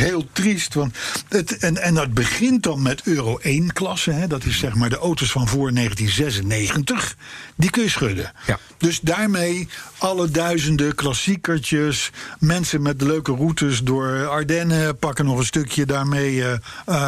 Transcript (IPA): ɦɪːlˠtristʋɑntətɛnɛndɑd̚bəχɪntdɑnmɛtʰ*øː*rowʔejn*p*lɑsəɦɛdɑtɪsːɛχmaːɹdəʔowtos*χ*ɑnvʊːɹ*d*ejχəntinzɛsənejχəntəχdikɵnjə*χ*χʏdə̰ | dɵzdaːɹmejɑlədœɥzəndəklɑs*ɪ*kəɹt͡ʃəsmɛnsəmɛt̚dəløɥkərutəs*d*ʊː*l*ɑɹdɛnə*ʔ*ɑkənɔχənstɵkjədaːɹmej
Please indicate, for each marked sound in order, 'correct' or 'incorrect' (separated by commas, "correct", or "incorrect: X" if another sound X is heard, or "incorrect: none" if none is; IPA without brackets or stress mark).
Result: correct, incorrect: k, incorrect: f, incorrect: n, incorrect: s, incorrect: i, correct, incorrect: ɹ, incorrect: p